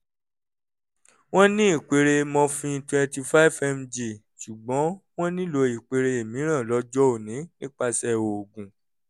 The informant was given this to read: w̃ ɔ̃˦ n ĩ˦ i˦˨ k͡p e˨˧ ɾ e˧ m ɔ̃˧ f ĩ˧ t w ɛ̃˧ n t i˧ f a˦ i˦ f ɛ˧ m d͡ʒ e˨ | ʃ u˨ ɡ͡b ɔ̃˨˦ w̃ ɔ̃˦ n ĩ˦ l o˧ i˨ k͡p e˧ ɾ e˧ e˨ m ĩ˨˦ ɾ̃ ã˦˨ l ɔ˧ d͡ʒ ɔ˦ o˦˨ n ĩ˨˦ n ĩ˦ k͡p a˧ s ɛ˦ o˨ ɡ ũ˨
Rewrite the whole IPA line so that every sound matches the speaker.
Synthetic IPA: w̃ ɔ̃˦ n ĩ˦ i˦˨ k͡p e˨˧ ɾ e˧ m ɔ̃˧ f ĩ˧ t w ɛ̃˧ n t i˧ f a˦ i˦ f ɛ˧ m d͡ʒ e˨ | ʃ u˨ ɡ͡b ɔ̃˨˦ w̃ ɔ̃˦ n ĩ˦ l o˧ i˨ k͡p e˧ ɾ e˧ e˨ m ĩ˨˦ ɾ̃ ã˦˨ l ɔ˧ d͡ʒ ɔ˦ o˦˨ n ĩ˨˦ n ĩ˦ k͡p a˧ s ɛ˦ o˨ ɡ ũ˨